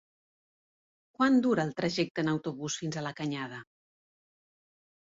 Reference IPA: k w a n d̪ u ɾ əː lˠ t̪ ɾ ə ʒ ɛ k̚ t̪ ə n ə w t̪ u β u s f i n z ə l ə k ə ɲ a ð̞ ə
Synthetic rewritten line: k w a n d̪ u ɾ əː lˠ t̪ ɾ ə ʒ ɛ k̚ t̪ ə n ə w t̪ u β u s f i n z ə l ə k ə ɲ a ð̞ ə